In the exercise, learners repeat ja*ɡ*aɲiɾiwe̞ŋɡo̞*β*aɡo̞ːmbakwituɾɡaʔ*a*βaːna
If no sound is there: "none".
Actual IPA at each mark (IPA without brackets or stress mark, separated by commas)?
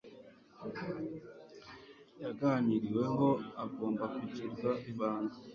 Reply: ɡ, none, i